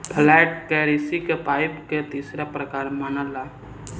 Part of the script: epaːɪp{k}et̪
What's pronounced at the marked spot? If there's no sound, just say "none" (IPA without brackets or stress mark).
k